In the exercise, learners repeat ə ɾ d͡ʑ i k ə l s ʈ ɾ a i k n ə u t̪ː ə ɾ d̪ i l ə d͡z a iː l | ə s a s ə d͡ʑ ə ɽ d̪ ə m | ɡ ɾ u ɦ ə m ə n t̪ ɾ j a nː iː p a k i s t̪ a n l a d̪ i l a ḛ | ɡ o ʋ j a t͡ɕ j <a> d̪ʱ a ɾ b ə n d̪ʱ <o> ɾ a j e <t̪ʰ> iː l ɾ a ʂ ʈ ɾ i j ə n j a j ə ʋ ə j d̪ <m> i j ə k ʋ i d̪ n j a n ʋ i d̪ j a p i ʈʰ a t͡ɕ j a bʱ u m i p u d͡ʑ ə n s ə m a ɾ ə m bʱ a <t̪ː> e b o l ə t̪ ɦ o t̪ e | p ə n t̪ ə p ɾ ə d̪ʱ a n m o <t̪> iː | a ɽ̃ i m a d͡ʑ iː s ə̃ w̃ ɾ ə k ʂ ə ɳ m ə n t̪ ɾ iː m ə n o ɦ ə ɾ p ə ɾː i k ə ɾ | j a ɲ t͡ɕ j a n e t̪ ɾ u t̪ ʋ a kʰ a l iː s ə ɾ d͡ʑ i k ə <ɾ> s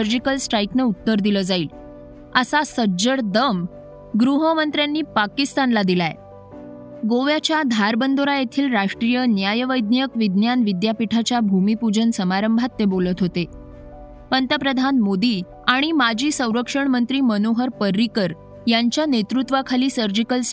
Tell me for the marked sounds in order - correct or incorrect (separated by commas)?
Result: correct, correct, correct, incorrect, correct, incorrect, incorrect